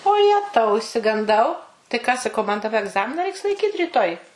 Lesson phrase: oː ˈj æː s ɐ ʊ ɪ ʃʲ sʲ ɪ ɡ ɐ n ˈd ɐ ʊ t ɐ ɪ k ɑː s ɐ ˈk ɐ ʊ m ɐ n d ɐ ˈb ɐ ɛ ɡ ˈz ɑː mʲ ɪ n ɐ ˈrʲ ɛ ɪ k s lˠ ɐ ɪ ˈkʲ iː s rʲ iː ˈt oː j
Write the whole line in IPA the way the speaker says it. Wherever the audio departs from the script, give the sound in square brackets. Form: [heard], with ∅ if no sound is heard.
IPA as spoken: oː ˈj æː [t] ɐ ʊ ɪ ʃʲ sʲ ɪ ɡ ɐ n ˈd ɐ ʊ t ɐ ɪ k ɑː s ɐ ˈk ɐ ʊ m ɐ n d ɐ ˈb ɐ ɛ ɡ ˈz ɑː mʲ ɪ n ɐ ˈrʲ ɛ ɪ k s lˠ ɐ ɪ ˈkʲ iː [t] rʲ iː ˈt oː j